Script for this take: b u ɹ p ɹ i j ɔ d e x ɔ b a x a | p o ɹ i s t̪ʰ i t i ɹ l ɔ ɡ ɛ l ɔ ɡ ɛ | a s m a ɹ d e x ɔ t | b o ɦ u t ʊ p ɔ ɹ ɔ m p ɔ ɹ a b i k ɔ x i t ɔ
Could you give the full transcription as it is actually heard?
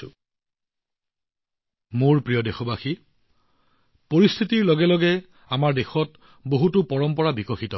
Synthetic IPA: m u ɹ p ɹ i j ɔ d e x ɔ b a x i | p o ɹ i s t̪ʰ i t i ɹ l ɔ ɡ ɛ l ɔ ɡ ɛ | a m a ɹ d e x ɔ t | b o ɦ u t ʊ p ɔ ɹ ɔ m p ɔ ɹ a b i k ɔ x i t ɔ